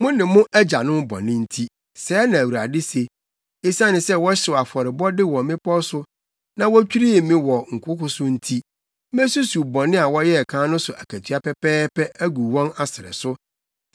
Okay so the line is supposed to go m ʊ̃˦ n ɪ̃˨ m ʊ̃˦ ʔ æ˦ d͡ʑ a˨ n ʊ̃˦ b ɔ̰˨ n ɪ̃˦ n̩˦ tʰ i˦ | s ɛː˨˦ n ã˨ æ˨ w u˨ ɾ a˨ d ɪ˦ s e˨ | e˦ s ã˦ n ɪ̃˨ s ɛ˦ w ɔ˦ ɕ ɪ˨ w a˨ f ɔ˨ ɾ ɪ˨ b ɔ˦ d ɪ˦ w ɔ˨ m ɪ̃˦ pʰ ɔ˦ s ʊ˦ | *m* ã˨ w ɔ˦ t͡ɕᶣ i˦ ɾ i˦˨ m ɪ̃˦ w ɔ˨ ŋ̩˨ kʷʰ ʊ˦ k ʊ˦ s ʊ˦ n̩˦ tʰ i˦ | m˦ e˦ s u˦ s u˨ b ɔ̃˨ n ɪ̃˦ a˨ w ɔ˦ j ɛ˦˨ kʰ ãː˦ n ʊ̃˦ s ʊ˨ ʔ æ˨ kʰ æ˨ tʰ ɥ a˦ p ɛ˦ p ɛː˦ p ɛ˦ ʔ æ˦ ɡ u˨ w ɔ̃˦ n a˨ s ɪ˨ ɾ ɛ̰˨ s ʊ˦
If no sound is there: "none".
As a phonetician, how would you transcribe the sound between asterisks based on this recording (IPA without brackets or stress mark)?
n